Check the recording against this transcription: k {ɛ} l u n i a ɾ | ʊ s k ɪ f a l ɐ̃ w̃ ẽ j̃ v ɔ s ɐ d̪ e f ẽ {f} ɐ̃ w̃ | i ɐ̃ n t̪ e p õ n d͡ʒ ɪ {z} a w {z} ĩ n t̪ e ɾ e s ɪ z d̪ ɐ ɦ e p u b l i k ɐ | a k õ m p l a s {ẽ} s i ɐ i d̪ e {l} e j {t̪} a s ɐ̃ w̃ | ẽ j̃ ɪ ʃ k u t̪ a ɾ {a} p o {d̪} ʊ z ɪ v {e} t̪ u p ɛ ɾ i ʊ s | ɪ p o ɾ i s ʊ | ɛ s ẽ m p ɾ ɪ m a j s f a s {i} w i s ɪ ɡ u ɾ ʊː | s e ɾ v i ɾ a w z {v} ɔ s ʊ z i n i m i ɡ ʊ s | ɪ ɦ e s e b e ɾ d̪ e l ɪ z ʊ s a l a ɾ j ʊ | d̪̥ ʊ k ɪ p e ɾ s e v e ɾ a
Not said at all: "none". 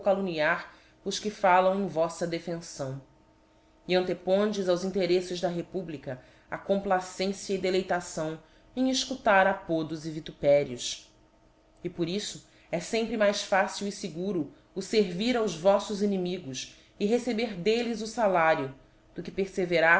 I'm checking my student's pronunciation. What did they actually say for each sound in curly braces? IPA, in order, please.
a, s, z, z, ẽ, l, t̪, a, d̪, i, i, v

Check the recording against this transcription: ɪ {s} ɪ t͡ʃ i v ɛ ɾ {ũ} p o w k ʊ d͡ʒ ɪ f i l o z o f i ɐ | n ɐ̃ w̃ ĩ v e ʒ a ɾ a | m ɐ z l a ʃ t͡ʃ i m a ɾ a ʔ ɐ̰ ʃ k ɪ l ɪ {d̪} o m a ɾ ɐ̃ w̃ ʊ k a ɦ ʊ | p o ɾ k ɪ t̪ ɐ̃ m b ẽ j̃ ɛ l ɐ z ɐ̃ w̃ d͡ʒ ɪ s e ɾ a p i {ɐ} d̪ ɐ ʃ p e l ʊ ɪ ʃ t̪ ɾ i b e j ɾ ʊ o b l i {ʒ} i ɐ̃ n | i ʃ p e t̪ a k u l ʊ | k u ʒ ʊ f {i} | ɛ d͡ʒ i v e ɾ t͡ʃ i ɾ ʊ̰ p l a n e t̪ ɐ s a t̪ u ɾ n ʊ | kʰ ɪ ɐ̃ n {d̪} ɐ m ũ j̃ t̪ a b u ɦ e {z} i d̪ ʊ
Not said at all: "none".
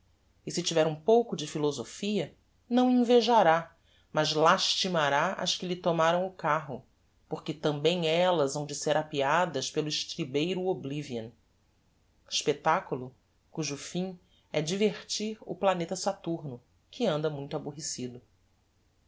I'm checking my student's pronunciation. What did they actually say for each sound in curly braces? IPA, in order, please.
s, ũ, t̪, a, v, ĩ, d̪, s

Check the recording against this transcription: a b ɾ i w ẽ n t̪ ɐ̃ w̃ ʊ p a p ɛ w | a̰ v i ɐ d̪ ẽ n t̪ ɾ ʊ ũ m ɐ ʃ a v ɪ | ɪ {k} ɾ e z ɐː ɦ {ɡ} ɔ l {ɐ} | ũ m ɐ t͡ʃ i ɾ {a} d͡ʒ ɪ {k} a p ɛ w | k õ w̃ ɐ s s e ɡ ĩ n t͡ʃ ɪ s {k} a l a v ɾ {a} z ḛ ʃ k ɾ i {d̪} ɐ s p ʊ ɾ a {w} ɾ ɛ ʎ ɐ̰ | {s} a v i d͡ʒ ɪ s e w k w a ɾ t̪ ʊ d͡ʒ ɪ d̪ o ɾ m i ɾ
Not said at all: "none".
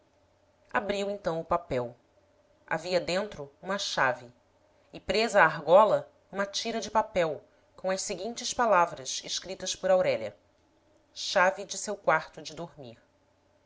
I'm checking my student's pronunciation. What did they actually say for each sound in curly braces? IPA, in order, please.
p, ɡ, ɐ, ɐ, p, p, ɐ, t̪, w, ʃ

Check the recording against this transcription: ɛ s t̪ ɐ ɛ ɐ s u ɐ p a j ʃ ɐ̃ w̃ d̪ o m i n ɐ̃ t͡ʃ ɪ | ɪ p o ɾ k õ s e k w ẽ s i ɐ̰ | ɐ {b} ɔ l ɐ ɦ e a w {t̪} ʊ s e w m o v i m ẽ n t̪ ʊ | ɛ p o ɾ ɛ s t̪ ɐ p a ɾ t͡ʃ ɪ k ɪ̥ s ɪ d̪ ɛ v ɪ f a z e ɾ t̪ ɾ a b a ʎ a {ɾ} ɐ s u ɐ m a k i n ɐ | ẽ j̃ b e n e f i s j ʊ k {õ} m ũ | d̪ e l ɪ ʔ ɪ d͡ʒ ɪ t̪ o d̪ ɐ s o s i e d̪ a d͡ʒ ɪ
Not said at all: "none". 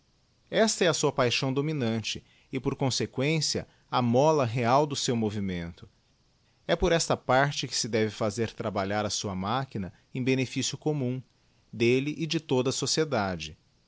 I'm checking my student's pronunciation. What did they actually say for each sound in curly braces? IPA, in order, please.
m, d̪, ɾ, o

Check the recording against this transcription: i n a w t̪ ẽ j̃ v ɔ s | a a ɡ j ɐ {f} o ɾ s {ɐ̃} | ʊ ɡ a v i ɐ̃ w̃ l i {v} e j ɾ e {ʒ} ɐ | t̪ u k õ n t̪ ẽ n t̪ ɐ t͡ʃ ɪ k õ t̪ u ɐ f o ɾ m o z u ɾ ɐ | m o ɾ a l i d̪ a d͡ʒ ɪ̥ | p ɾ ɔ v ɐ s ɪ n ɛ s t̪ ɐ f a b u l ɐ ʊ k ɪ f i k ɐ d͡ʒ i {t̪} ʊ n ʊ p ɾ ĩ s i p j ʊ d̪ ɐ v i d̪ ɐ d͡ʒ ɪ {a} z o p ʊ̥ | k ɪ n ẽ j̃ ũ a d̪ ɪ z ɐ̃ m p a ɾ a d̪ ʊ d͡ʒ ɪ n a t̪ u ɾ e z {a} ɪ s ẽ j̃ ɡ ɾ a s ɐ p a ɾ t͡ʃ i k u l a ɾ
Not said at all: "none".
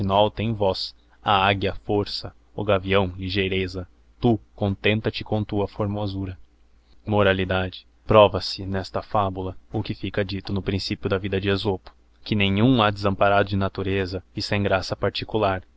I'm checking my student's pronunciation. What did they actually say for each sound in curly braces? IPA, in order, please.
f, ɐ, ʒ, z, t̪, e, ɐ

